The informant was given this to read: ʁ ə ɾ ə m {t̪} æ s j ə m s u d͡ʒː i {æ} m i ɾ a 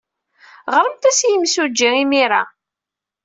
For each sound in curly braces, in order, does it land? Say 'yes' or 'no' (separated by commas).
yes, no